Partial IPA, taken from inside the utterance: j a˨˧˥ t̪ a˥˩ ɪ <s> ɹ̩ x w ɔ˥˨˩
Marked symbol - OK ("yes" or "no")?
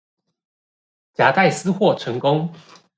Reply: yes